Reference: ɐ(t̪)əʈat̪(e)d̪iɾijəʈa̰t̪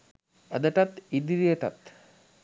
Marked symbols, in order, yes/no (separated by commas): no, no